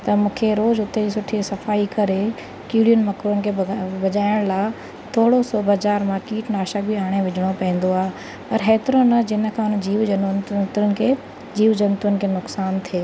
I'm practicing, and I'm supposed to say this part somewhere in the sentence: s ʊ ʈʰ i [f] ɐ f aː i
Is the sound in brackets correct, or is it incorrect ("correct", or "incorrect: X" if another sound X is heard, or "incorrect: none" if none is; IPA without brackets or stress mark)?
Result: incorrect: s